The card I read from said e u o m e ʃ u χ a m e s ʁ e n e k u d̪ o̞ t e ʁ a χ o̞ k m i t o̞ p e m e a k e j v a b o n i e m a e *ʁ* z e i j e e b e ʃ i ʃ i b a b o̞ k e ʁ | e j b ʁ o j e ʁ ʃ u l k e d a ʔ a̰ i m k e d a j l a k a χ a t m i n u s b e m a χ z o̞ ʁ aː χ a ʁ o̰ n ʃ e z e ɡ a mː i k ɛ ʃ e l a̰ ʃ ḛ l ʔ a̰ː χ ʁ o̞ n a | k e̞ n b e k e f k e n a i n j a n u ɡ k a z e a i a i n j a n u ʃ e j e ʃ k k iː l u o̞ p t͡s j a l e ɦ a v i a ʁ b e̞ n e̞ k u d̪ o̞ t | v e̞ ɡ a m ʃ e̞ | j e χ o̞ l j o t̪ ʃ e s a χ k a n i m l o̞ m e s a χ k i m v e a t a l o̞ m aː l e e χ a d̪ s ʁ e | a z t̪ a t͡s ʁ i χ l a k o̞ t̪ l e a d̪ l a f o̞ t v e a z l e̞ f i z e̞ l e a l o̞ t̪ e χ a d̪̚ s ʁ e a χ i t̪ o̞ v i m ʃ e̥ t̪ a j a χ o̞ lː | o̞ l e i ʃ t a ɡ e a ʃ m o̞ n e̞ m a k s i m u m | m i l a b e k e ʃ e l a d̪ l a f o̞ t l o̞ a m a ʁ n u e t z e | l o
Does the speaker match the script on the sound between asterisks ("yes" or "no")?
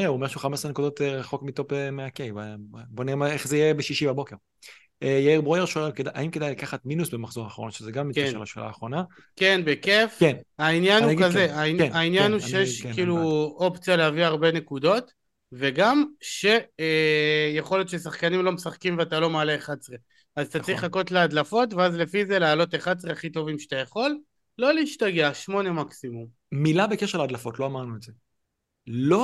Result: no